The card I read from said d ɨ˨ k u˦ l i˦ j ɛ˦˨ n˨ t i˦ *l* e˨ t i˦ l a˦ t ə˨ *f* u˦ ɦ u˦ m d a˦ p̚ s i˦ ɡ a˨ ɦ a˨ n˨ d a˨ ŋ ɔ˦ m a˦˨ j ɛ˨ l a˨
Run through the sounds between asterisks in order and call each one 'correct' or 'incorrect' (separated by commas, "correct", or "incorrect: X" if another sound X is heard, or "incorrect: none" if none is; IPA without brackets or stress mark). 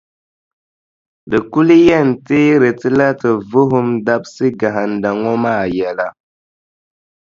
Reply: incorrect: ɾ, incorrect: v